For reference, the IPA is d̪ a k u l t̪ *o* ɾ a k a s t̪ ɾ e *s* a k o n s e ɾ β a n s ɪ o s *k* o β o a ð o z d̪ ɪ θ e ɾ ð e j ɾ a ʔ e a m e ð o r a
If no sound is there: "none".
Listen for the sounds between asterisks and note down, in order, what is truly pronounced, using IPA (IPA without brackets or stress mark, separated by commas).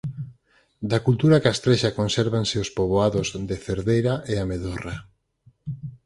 u, ʃ, p